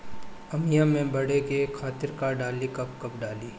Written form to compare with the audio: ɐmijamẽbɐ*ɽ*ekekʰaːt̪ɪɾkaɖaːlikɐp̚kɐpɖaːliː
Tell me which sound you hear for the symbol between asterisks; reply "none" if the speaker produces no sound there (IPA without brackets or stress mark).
ɽ